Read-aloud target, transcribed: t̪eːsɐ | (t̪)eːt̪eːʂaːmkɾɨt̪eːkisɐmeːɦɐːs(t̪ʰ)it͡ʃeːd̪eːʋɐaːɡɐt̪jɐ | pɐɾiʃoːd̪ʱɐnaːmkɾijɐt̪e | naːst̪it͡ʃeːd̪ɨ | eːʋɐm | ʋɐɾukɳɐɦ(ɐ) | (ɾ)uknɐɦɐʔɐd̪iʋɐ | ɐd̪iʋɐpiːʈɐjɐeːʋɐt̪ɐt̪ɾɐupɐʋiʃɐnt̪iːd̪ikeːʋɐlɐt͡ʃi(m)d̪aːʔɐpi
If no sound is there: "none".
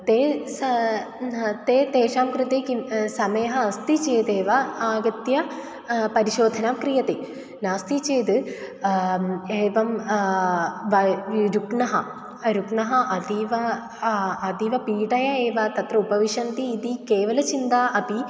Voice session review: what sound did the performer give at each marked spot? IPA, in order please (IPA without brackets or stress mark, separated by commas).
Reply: t̪, t̪, ɐ, ɾ, n